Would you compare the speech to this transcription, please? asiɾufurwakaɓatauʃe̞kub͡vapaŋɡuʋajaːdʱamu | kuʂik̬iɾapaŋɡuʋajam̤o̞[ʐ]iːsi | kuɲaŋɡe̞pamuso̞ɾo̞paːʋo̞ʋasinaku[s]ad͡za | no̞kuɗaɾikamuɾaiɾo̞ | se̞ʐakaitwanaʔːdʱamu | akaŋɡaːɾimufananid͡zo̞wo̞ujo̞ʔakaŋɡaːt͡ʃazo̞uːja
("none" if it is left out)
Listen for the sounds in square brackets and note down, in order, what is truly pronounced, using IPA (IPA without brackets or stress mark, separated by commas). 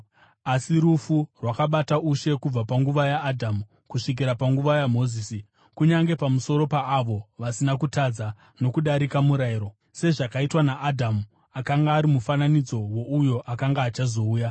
z, t